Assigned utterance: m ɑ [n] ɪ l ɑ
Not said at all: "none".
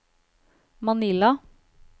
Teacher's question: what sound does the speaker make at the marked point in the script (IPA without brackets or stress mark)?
n